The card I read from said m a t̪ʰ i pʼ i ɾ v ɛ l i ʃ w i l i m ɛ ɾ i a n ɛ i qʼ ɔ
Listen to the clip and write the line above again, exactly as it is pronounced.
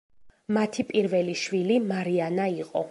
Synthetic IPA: m a t̪ʰ i pʼ i ɾ v ɛ l i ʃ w i l i m a ɾ i a n a i qʼ ɔ